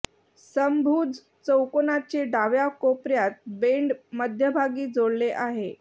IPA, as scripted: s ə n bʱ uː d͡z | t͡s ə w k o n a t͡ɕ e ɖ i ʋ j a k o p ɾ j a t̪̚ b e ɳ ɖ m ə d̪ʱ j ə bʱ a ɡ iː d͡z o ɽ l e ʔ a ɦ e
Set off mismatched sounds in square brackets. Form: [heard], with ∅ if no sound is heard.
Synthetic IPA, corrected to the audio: s ə [m] bʱ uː d͡z | t͡s ə w k o n a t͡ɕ e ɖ [a] ʋ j a k o p ɾ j a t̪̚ b e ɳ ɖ m ə d̪ʱ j ə bʱ a ɡ iː d͡z o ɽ l e ʔ a ɦ e